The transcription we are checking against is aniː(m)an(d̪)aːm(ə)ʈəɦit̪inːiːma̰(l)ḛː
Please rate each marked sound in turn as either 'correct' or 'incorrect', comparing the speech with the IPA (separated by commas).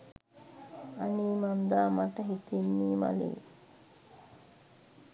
correct, correct, incorrect, correct